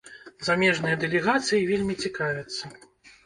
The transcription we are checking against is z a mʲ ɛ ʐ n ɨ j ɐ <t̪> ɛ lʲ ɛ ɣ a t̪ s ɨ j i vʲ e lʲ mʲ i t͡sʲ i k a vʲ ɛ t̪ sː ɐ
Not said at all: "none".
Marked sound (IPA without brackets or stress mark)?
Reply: d̪